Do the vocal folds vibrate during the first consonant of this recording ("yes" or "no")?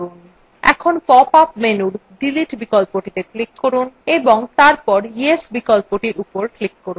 yes